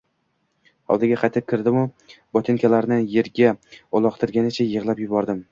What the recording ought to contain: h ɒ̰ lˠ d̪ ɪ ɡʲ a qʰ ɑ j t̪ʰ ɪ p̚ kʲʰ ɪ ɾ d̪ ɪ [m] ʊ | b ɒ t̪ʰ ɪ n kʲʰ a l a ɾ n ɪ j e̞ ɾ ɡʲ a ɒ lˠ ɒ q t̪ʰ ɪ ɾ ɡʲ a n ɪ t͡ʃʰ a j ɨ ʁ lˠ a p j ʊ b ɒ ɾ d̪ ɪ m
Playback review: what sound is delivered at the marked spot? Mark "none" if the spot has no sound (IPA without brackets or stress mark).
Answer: m